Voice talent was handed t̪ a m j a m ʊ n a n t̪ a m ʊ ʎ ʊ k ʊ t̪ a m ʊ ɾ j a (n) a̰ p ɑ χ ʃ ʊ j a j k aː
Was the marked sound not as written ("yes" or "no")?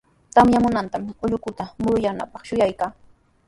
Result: no